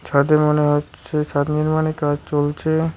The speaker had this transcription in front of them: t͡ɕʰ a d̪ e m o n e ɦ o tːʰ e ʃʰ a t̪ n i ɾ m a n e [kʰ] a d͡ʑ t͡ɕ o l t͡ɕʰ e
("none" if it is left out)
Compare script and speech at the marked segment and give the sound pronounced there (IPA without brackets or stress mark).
k